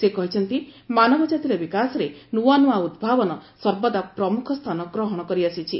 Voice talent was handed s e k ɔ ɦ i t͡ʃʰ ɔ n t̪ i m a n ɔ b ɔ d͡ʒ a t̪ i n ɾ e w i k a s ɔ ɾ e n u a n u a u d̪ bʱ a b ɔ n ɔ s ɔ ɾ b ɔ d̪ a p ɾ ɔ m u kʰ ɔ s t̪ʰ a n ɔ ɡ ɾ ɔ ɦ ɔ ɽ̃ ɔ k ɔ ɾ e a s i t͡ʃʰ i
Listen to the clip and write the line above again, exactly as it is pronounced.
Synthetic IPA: s e k ɔ ɦ i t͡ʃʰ ɔ n t̪ i m a n ɔ b ɔ d͡ʒ a t̪ i ɾ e b i k a s ɔ ɾ e n u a n u a u d̪ bʱ a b ɔ n ɔ s ɔ ɾ b ɔ d̪ a p ɾ ɔ m u kʰ ɔ s t̪ʰ a n ɔ ɡ ɾ ɔ ɦ ɔ ɽ̃ ɔ k ɔ ɾ i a s i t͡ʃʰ i